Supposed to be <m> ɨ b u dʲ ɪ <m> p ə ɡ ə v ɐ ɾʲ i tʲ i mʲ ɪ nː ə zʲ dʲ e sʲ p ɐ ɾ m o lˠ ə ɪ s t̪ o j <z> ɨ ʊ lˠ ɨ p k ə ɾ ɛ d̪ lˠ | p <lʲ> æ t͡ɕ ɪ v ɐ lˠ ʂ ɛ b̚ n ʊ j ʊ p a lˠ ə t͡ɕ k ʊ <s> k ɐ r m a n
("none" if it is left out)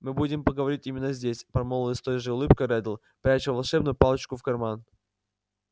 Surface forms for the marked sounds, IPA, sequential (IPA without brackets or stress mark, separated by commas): m, m, ʐ, ɾʲ, f